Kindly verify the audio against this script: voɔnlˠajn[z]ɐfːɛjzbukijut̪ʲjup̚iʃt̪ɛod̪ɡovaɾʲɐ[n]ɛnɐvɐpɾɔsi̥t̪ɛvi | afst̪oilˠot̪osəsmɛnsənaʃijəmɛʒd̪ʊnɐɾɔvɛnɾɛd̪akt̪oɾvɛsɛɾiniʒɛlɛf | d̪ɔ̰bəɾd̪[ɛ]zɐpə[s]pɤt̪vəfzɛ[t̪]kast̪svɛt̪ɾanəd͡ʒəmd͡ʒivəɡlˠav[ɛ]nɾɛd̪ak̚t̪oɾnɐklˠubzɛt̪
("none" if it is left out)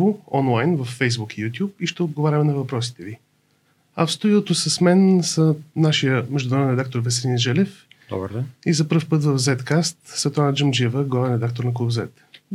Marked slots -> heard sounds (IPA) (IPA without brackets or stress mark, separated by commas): v, m, i, f, t̪, ɛ